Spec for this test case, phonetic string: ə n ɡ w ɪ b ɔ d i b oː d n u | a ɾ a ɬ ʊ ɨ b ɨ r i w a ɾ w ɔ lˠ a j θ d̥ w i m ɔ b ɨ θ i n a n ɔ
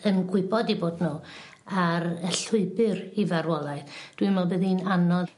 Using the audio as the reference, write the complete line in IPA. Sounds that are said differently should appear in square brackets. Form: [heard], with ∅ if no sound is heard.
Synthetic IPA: ə n ɡ w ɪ b ɔ d i b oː d n u | a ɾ [ə] ɬ ʊ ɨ b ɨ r i [v] a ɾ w ɔ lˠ a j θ d̥ w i m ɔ b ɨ [ð] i n a n ɔ